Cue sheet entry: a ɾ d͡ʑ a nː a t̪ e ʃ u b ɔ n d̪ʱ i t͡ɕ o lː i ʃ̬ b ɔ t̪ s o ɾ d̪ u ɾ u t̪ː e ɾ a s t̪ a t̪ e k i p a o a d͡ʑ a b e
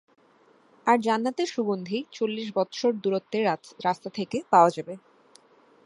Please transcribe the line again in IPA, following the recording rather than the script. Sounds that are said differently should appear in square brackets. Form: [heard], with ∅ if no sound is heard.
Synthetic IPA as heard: a ɾ d͡ʑ a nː a t̪ e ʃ u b [o] n d̪ʱ i t͡ɕ o lː i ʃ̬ b ɔ t̪ [ʃ] o ɾ d̪ u ɾ [o] t̪ː e ɾ a s t̪ a [t̪ʰ] e k [e] p a o a d͡ʑ a b e